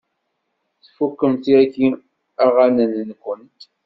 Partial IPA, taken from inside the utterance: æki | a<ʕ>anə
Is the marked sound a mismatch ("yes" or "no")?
yes